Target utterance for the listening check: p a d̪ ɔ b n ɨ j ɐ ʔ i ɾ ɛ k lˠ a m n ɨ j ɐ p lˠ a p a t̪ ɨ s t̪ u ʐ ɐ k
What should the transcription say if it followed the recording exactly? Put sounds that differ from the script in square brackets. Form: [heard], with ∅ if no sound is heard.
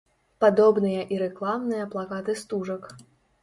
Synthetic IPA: p a d̪ ɔ b n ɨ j ɐ ʔ i ɾ ɛ k lˠ a m n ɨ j ɐ p lˠ a [k] a t̪ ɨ s t̪ u ʐ ɐ k